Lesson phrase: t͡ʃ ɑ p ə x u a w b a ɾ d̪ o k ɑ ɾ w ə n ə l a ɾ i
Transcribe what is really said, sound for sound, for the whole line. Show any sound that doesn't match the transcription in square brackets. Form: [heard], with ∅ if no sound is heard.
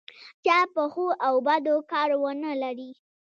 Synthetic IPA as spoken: t͡ʃ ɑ p ə x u a w b a [∅] d̪ o k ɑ ɾ w ə n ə l a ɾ i